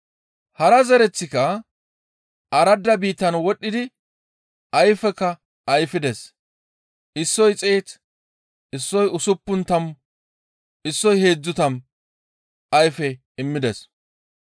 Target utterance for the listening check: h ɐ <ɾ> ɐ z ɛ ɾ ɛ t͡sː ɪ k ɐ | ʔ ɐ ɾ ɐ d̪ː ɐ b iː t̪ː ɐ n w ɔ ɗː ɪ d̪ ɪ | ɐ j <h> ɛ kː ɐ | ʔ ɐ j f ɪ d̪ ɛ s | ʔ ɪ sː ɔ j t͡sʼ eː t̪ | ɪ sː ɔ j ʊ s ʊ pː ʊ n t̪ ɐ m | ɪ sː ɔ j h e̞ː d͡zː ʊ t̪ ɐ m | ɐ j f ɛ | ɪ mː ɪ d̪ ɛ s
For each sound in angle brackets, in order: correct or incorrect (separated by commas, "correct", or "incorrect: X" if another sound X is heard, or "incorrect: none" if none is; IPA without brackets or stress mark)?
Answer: correct, incorrect: f